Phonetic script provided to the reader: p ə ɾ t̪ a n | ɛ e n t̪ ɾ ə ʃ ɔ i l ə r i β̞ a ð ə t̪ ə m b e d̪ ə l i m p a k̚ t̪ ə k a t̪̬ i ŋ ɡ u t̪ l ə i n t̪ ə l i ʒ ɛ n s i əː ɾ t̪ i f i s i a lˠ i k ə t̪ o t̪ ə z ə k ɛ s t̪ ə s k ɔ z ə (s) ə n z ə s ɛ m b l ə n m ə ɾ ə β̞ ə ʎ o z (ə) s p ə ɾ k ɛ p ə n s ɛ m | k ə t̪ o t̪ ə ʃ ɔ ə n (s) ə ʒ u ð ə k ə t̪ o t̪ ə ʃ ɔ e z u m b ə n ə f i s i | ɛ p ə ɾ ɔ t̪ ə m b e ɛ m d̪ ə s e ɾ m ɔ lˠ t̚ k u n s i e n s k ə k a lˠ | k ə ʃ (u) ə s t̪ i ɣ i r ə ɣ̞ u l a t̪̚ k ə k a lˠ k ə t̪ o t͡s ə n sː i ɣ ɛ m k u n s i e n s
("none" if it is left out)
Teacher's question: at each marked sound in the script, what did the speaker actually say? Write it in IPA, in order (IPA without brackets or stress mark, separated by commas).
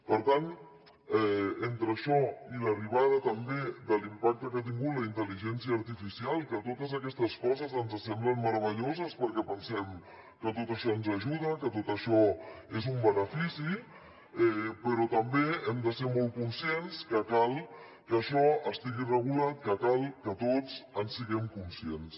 z, ə, z, ɔ